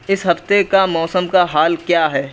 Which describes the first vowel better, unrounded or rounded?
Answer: unrounded